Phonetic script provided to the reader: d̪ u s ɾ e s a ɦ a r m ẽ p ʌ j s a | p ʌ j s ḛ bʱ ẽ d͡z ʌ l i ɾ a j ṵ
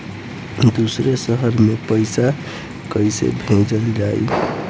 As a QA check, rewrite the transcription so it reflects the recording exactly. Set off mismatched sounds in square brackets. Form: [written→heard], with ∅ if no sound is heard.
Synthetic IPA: d̪ u s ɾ e s [a→ʌ] ɦ [a→ʌ] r m [ẽ→e] p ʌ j s a | [p→k] ʌ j s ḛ bʱ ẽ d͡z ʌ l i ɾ a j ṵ